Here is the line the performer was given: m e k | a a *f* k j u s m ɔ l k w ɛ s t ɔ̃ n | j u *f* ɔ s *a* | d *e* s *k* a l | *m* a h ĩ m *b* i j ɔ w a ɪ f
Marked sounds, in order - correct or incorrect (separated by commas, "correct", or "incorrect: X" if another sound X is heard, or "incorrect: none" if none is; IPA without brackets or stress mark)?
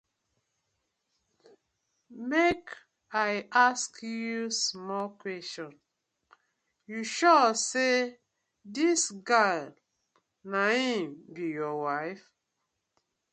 incorrect: s, incorrect: ʃ, incorrect: e, incorrect: i, incorrect: ɡ, incorrect: n, correct